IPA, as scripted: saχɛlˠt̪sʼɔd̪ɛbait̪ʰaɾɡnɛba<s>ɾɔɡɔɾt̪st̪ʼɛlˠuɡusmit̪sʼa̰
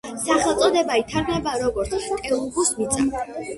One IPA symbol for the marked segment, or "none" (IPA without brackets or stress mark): none